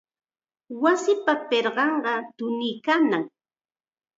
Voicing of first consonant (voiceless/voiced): voiced